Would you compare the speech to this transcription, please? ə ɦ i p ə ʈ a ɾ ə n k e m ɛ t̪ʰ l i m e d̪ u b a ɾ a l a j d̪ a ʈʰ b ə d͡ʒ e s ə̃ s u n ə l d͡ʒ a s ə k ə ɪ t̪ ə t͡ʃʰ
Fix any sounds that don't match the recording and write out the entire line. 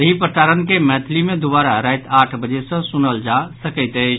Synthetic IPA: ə ɦ i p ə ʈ a ɾ ə n k e m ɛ t̪ʰ l i m e d̪ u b a ɾ a ɾ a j t̪ a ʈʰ b ə d͡ʒ e s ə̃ s u n ə l d͡ʒ a s ə k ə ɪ t̪ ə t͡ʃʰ

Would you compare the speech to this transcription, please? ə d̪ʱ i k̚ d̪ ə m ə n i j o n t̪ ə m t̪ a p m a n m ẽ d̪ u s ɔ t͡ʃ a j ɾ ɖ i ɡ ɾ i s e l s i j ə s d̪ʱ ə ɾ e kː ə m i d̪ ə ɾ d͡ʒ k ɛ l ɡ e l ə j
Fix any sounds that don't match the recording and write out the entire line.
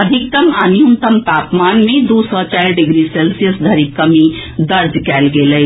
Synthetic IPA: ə d̪ʱ i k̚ t̪ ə m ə n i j u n t̪ ə m t̪ a p m a n m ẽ d̪ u s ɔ t͡ʃ a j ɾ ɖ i ɡ ɾ i s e l s i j ə s d̪ʱ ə ɾ i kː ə m i d̪ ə ɾ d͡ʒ k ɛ l ɡ e l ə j

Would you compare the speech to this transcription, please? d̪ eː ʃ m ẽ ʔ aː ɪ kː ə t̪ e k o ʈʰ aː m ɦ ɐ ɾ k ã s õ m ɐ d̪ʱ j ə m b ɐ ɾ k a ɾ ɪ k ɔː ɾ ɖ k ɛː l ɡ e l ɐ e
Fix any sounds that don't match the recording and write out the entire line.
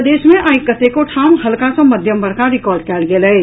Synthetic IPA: d̪ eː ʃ m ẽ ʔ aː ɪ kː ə t̪ e k o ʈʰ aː m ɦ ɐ l k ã s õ m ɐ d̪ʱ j ə m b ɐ ɾ k a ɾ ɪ k ɔː ɾ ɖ k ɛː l ɡ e l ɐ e

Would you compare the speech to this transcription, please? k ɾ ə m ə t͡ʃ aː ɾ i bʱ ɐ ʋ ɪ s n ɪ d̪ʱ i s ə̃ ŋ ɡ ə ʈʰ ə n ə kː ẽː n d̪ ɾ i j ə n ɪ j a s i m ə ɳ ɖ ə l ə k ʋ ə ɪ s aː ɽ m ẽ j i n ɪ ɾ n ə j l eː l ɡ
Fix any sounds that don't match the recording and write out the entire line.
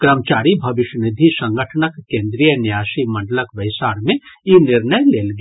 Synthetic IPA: k ɾ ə m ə t͡ʃ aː ɾ i bʱ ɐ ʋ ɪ ʃ n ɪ d̪ʱ i s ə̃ ŋ ɡ ə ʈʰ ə n ə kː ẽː n d̪ ɾ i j ə n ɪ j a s i m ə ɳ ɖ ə l ə k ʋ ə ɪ s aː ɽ m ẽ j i n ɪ ɾ n ə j l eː l ɡ

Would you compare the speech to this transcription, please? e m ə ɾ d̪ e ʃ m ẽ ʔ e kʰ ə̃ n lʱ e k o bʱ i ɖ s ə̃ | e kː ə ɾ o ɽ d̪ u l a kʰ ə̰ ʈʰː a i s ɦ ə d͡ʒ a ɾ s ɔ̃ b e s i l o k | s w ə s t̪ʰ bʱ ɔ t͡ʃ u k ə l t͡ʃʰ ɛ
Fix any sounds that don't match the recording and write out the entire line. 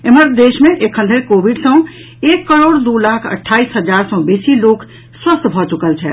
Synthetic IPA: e m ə ɾ d̪ e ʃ m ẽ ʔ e kʰ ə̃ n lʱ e k o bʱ i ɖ s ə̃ | e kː ə ɾ o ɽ d̪ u l a kʰ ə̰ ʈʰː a i s ɦ ə d͡ʒ a ɾ s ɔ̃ b e s i l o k | s w ə s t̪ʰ bʱ ɔ t͡ʃ u k ə l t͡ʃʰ ɛ

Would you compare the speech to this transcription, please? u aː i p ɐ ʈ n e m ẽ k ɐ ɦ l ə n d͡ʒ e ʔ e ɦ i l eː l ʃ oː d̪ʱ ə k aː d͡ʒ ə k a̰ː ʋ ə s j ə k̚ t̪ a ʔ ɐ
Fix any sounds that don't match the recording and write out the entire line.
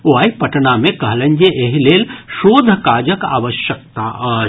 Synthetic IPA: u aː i p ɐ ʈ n a m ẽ k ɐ ɦ l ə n d͡ʒ e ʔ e ɦ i l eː l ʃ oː d̪ʱ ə k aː d͡ʒ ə k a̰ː ʋ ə ʃ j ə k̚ t̪ a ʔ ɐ

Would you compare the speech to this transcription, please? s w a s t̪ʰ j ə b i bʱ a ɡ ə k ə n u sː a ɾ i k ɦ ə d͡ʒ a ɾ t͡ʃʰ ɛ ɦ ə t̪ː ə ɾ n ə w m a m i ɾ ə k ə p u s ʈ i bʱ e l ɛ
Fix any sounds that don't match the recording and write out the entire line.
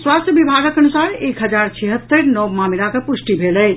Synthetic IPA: s w a s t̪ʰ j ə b i bʱ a ɡ ə k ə n u s a ɾ e k ɦ ə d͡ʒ a ɾ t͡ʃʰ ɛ ɦ ə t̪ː ə ɾ n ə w m a m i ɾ a k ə p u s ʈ i bʱ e l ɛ

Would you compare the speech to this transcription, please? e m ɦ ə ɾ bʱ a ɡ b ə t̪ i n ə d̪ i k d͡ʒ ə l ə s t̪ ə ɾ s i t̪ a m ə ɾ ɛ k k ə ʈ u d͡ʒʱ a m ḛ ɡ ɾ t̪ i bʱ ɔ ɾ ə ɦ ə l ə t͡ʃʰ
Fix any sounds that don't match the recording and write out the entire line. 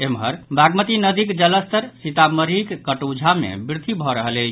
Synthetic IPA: e m ɦ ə ɾ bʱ a ɡ m ə t̪ i n ə d̪ i k d͡ʒ ə l ə s t̪ ə ɾ s i t̪ a m ə ɾ i k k ə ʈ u d͡ʒʱ a m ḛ b ɾ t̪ i bʱ ɔ ɾ ə ɦ ə l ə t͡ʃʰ

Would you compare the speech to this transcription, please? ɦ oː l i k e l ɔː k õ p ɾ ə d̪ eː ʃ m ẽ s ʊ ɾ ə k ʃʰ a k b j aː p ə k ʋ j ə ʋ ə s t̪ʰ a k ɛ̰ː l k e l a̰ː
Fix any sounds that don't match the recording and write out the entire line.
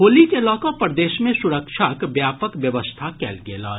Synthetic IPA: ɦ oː l i k e l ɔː k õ p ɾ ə d̪ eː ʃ m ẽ s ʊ ɾ ə k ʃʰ a k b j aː p ə k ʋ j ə ʋ ə s t̪ʰ a k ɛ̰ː l ɡ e l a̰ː

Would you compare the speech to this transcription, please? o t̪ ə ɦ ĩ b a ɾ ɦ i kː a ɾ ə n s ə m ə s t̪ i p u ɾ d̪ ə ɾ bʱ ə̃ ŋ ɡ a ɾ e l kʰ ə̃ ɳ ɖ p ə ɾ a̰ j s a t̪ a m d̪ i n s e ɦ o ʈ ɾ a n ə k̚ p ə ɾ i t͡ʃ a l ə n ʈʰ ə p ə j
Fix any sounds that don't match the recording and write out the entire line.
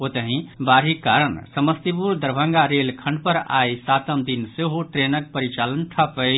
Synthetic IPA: o t̪ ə ɦ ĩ b a ɾ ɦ i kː a ɾ ə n s ə m ə s t̪ i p u ɾ d̪ ə ɾ bʱ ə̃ ŋ ɡ a ɾ e l kʰ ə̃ ɳ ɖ p ə ɾ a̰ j s a t̪ ə m d̪ i n s e ɦ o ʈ ɾ e n ə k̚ p ə ɾ i t͡ʃ a l ə n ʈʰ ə p ə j

